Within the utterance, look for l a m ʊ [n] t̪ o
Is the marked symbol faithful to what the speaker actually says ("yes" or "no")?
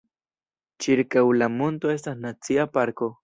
yes